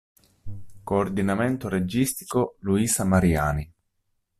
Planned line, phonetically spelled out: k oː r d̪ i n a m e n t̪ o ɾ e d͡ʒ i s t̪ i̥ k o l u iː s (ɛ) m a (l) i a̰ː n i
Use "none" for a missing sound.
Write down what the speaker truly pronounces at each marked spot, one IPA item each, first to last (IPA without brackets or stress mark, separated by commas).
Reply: a, ɾ